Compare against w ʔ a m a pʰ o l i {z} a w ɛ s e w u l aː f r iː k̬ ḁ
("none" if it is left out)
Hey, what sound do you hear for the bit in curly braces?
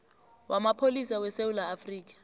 s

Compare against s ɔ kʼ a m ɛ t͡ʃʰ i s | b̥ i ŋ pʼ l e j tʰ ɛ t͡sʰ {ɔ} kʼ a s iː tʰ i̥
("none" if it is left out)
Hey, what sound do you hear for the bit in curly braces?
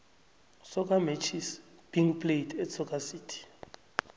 ɔ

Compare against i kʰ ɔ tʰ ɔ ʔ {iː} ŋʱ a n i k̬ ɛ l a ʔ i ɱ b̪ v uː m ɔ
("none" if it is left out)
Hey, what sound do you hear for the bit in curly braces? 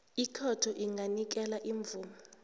i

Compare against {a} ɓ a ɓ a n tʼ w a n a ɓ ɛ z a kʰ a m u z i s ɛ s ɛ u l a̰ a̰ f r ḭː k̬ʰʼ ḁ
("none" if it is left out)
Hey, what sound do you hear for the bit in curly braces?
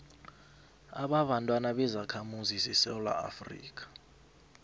a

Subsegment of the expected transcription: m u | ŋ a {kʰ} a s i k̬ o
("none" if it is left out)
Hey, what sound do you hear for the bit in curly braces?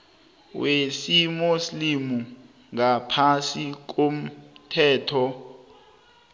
pʰ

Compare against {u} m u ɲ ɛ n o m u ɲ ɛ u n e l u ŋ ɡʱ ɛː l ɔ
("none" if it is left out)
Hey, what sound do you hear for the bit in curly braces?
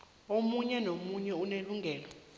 o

